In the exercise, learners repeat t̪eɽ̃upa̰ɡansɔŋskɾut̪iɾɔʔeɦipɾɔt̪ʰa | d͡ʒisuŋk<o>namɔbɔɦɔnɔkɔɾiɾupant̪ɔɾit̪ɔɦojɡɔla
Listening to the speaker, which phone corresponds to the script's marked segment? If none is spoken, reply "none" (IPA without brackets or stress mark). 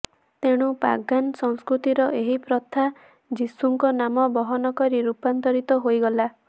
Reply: ɔ